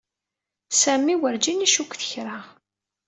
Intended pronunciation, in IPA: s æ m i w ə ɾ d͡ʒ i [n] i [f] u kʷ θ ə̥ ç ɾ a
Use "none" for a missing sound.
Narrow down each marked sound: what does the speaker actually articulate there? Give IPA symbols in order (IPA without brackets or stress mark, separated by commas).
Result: n, ʃ